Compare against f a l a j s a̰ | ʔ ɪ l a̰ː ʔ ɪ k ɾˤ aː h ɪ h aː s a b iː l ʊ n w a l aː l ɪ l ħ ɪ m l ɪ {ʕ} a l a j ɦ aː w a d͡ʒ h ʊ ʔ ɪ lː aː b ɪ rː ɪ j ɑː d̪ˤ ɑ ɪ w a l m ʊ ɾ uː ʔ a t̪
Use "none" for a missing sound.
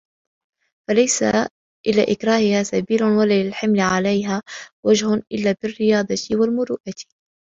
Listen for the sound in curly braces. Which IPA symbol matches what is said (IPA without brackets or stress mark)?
ʕ